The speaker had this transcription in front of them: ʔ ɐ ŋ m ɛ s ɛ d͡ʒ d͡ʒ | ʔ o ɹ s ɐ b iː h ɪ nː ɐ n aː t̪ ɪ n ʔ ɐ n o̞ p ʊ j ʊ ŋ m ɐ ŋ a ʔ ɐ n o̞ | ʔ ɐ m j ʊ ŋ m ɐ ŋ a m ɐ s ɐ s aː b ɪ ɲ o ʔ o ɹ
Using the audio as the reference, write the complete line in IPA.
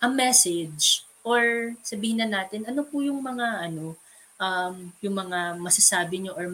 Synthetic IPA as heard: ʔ ɐ ŋ m ɛ s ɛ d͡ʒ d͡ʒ | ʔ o ɹ s ɐ b iː h ɪ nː ɐ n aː t̪ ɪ n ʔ ɐ n o̞ p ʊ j ʊ ŋ m ɐ ŋ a ʔ ɐ n o̞ | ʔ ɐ m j ʊ ŋ m ɐ ŋ a m ɐ s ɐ s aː b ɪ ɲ o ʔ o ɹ